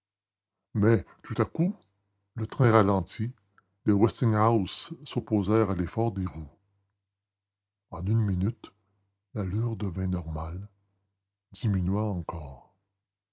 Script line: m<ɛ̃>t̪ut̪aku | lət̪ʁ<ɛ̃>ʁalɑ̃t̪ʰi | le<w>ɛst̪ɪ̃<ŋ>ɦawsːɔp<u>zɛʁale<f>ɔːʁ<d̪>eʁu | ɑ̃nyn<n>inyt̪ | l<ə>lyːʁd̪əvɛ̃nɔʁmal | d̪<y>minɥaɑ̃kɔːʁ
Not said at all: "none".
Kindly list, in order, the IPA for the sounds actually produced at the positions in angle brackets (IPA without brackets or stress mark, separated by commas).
ɛ, ɛ̃, w, ŋ, o, f, d̪, m, a, i